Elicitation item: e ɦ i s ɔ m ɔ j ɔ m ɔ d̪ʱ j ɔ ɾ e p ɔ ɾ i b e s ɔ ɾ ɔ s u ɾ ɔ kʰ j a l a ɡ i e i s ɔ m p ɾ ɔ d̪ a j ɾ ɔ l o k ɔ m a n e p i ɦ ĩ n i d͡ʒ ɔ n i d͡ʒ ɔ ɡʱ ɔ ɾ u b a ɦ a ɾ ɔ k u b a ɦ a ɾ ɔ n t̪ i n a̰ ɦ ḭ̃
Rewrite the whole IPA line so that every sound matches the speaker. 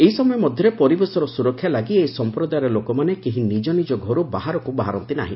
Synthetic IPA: e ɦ i s ɔ m ɔ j ɔ m ɔ d̪ʱ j ɔ ɾ e p ɔ ɾ i b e s ɔ ɾ ɔ s u ɾ ɔ kʰ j a l a ɡ i e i s ɔ m p ɾ ɔ d̪ a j ɾ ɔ l o k ɔ m a n e k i ɦ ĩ n i d͡ʒ ɔ n i d͡ʒ ɔ ɡʱ ɔ ɾ u b a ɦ a ɾ ɔ k u b a ɦ a ɾ ɔ n t̪ i n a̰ ɦ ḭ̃